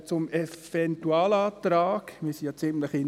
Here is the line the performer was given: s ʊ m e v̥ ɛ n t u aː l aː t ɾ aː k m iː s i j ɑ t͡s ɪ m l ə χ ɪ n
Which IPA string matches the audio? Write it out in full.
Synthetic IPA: t͡s ʊ m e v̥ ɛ n t u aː l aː t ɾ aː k m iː s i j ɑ t͡s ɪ m l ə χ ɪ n